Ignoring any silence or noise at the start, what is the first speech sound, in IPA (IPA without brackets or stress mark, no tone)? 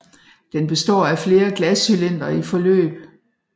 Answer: d̥